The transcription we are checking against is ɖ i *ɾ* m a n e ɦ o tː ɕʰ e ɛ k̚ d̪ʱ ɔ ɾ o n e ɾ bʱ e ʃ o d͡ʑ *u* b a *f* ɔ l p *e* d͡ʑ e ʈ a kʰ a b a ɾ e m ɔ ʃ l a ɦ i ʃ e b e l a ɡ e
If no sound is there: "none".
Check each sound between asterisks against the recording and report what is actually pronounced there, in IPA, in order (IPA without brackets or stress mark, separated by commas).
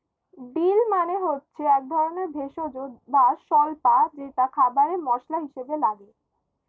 l, o, ʃ, a